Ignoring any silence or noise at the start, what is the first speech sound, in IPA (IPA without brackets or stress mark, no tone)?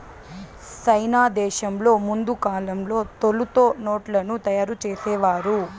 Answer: t͡ʃ